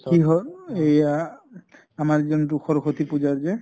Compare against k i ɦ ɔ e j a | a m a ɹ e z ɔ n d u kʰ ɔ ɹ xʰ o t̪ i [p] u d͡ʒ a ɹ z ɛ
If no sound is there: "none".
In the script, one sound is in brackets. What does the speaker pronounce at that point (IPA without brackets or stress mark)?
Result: p